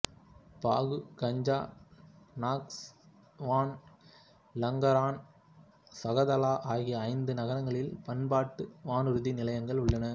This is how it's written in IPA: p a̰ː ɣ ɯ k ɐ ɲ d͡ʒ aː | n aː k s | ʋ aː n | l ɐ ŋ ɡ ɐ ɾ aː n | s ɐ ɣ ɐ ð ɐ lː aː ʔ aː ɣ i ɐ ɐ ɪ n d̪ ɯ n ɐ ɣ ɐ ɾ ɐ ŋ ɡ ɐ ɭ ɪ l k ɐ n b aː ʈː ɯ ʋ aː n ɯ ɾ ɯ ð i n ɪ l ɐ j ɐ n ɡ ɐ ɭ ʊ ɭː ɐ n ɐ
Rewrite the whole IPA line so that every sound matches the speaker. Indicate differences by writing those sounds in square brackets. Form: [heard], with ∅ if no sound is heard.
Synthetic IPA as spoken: p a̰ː ɣ ɯ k ɐ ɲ d͡ʒ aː | n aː k s | ʋ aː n | l ɐ ŋ ɡ ɐ ɾ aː n | s ɐ ɣ ɐ ð ɐ [l] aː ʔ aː ɣ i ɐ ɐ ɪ n d̪ ɯ n ɐ ɣ ɐ ɾ ɐ ŋ ɡ ɐ ɭ ɪ l [p] ɐ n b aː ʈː ɯ ʋ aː n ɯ ɾ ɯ ð i n ɪ l ɐ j ɐ [ŋ] ɡ ɐ ɭ ʊ ɭː ɐ n ɐ

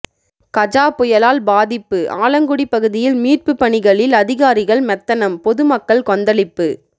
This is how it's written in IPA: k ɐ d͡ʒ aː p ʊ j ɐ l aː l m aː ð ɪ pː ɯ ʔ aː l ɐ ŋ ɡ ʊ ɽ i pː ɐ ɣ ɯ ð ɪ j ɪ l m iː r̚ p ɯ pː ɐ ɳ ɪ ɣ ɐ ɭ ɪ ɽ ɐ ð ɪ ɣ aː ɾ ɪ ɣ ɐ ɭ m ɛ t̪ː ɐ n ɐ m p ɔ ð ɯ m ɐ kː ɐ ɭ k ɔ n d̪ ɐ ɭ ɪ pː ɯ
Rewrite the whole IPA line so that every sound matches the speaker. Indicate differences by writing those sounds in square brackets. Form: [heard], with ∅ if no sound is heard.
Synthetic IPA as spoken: k ɐ d͡ʒ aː p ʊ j ɐ l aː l [b] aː ð ɪ pː ɯ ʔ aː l ɐ ŋ ɡ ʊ ɽ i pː ɐ ɣ ɯ ð ɪ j ɪ l m iː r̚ p ɯ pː ɐ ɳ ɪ ɣ ɐ ɭ ɪ [l] ɐ ð ɪ ɣ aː ɾ ɪ ɣ ɐ ɭ m ɛ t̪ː ɐ n ɐ m p ɔ ð ɯ m ɐ kː ɐ ɭ k ɔ n d̪ ɐ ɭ ɪ pː ɯ

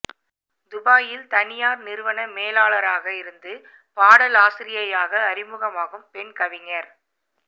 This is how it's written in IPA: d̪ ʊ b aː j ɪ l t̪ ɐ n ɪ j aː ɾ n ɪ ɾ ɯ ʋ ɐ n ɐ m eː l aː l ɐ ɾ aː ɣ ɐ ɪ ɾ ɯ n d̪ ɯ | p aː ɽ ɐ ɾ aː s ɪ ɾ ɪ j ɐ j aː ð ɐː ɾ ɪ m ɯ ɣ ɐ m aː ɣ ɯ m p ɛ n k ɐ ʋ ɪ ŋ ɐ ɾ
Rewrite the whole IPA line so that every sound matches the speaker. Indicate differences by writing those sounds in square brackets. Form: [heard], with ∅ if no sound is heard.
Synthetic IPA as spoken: d̪ ʊ b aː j ɪ l t̪ ɐ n ɪ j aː ɾ n ɪ ɾ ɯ ʋ ɐ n ɐ m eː l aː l ɐ ɾ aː ɣ ɐ ɪ ɾ ɯ n d̪ ɯ | p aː ɽ ɐ [l] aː s ɪ ɾ ɪ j ɐ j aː [ɣ] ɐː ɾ ɪ m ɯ ɣ ɐ m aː ɣ ɯ m p ɛ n k ɐ ʋ ɪ ŋ ɐ ɾ

